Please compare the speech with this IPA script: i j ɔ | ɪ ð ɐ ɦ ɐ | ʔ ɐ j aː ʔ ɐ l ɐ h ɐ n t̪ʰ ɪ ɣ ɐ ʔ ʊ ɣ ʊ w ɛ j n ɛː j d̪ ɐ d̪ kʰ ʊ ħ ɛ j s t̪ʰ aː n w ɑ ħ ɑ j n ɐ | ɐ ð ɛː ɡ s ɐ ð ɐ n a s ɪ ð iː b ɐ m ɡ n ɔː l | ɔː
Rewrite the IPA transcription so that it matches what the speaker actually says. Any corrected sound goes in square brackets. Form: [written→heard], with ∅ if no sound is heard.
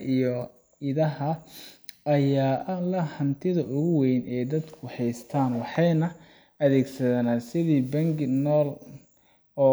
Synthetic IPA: i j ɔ | ɪ ð ɐ ɦ ɐ | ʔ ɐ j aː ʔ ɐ l ɐ h ɐ n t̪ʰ ɪ [ɣ→ð] ɐ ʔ ʊ ɣ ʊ w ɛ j n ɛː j d̪ ɐ d̪ kʰ ʊ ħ ɛ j s t̪ʰ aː n w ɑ ħ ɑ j n ɐ | ɐ ð ɛː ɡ s ɐ ð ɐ n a s ɪ ð iː b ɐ [m→ŋ] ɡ n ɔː l | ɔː